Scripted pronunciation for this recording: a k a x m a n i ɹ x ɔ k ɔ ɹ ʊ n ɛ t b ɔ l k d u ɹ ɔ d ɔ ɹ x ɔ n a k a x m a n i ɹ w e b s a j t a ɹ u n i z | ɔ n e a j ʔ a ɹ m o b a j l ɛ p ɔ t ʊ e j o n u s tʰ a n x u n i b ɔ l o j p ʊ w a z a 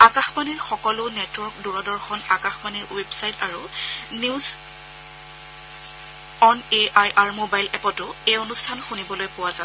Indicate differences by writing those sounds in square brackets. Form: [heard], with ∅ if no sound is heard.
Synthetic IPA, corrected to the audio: a k a x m a n i ɹ x ɔ k ɔ [l] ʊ n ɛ t [w] ɔ [ɹ] k d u ɹ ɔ d ɔ ɹ x ɔ n a k a x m a n i ɹ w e b s a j t a ɹ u n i z | ɔ n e a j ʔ a ɹ m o b a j l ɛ p ɔ t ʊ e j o n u s tʰ a n x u n i b ɔ l o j p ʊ w a z a